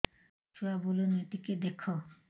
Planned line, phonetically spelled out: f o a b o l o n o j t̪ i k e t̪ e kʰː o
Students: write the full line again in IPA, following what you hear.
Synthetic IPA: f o a b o l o n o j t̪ i k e d̪ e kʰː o